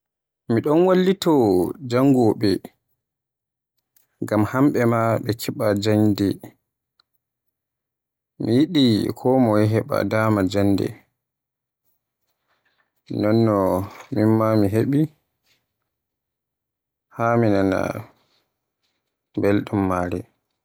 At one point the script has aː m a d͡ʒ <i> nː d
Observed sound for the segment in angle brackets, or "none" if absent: a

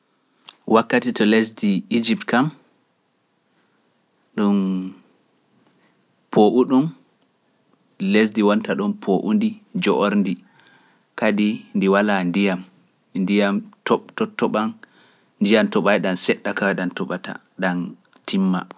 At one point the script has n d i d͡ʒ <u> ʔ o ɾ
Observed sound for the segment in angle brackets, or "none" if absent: ɔ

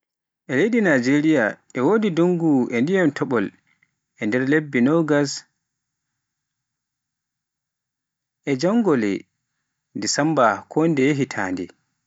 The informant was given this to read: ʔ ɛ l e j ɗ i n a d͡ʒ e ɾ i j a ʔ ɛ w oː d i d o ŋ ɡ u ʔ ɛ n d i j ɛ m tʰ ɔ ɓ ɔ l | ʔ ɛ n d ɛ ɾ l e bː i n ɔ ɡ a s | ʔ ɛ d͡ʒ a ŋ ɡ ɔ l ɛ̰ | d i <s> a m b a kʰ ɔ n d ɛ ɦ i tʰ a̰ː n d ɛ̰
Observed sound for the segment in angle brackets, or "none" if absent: s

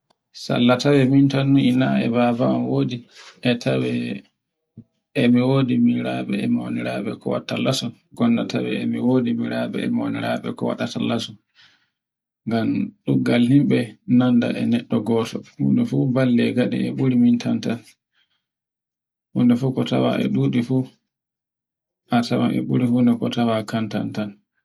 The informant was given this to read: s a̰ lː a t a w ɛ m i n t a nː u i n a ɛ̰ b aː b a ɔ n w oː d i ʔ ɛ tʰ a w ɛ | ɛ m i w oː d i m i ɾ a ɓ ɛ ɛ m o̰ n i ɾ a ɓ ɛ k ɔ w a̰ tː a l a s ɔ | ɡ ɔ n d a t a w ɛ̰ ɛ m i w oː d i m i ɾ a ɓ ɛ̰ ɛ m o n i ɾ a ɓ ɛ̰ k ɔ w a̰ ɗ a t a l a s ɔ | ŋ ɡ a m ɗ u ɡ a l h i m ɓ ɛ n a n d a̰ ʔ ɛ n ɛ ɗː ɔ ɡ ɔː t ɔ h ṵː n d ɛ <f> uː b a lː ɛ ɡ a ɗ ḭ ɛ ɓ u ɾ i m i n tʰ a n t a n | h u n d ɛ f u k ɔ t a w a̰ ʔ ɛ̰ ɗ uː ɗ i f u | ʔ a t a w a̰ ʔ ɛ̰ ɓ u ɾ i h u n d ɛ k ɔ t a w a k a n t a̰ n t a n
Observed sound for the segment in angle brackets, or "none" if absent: f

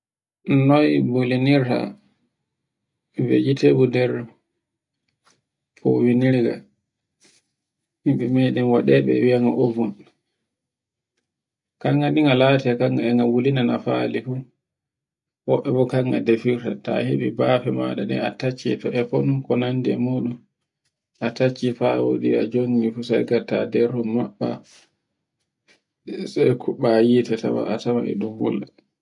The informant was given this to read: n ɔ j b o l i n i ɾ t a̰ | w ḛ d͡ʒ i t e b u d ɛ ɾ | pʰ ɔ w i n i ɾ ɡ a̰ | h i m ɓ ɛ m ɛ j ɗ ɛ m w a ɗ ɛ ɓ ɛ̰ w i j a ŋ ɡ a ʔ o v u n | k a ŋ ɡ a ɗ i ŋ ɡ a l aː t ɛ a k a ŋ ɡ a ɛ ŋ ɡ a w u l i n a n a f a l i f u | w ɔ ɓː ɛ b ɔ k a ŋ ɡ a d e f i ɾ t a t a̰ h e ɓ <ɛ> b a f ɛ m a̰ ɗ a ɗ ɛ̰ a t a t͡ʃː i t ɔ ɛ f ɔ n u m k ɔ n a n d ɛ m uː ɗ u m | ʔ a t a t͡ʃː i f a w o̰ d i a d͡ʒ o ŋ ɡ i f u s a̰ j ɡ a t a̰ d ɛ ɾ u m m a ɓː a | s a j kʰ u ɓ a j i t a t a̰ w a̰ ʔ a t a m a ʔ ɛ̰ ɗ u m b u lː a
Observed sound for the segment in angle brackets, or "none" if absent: i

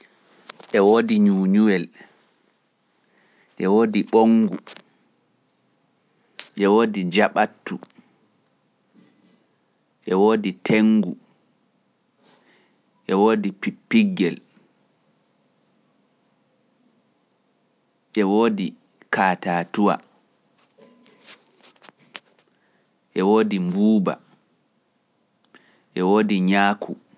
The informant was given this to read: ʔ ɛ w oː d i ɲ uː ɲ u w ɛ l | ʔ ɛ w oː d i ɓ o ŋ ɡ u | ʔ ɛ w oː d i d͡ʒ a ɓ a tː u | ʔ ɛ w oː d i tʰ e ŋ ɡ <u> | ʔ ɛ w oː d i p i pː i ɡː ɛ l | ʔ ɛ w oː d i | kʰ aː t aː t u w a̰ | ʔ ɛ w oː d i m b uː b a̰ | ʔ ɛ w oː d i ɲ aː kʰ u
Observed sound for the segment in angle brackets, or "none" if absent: u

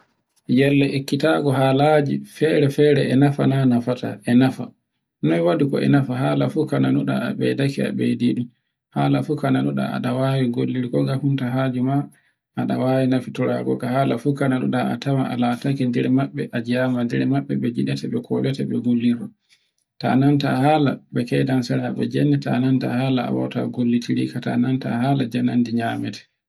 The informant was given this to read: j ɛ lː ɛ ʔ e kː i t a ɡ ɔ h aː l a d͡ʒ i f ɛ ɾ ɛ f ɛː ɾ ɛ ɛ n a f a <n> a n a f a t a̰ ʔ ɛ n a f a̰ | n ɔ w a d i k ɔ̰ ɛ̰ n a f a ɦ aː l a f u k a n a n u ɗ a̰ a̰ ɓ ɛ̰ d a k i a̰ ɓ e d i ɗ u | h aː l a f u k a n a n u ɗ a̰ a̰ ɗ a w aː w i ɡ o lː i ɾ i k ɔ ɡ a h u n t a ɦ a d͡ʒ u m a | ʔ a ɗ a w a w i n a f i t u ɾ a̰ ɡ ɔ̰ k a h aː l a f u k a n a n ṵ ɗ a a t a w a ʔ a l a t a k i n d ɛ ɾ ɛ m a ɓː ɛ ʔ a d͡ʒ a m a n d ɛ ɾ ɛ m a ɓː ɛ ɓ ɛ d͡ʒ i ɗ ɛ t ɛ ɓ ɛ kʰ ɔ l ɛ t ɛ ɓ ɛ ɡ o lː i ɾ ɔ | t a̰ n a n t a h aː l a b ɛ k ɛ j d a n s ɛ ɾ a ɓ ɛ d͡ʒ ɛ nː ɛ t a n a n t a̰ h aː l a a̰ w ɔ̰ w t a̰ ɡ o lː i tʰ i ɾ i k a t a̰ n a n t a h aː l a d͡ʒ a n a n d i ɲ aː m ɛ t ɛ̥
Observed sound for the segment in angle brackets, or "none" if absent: n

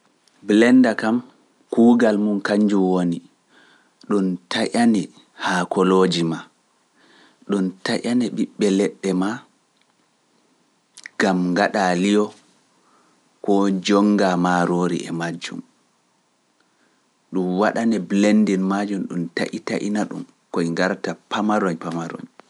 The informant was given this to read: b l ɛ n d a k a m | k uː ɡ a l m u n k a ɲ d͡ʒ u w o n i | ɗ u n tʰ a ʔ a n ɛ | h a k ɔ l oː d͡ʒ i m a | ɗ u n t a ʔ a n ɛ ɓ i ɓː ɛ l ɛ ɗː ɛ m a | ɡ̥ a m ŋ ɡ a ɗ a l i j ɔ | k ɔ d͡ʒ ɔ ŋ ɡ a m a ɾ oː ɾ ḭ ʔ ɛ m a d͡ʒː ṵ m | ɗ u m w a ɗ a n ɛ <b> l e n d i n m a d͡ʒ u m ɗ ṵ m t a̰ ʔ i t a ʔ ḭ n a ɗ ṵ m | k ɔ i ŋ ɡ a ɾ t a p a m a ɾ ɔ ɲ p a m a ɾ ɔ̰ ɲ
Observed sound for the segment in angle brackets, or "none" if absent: b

